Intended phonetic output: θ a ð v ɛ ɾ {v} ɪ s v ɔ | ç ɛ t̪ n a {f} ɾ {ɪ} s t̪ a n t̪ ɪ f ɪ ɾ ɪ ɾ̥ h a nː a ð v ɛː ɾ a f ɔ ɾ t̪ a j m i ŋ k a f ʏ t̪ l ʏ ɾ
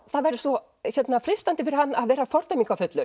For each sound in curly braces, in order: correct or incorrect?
incorrect: ð, correct, correct

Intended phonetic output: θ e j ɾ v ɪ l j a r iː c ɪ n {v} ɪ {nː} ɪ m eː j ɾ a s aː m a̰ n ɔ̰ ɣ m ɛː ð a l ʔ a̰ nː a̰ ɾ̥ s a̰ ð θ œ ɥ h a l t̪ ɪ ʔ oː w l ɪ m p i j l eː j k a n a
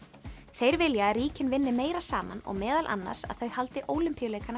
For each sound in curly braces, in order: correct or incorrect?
correct, correct

